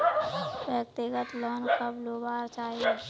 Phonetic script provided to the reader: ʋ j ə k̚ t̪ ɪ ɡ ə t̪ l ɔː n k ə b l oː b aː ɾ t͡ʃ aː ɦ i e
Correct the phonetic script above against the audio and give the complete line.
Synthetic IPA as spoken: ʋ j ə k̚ t̪ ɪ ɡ ə t̪ l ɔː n k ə b l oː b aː ɾ t͡ʃ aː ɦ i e